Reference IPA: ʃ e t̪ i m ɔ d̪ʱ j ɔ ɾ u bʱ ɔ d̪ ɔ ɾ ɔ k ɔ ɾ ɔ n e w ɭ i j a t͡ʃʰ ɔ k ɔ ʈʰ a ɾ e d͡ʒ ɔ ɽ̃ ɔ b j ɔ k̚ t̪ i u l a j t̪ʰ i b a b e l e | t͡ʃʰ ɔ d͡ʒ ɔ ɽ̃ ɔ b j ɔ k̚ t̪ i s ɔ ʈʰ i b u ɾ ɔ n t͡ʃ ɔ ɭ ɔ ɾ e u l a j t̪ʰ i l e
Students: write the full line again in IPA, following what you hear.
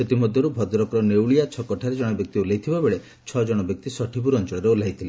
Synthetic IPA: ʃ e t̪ i m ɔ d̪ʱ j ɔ ɾ u bʱ ɔ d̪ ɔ ɾ ɔ k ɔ ɾ ɔ n e w ɭ i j a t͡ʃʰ ɔ k ɔ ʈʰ a ɾ e d͡ʒ ɔ ɽ̃ ɔ b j ɔ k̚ t̪ i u l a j t̪ʰ i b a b e ɭ e | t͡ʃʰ ɔ d͡ʒ ɔ ɽ̃ ɔ b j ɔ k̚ t̪ i s ɔ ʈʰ i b u ɾ ɔ n t͡ʃ ɔ ɭ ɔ ɾ e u l a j t̪ʰ i l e